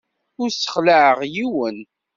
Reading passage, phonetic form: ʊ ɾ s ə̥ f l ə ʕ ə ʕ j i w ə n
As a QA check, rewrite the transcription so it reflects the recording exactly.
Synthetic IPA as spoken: ʊ ɾ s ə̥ χ l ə ʕ ə ʁ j i w ə n